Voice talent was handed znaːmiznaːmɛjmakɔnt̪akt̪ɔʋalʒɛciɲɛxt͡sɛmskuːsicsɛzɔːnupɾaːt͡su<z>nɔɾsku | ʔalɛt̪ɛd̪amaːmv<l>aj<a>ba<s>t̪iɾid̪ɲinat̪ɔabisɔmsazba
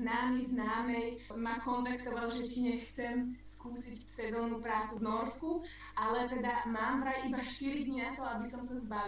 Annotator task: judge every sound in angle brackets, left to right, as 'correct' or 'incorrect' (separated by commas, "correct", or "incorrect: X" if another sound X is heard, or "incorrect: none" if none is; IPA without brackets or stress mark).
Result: incorrect: v, incorrect: ɾ, incorrect: i, incorrect: ʃ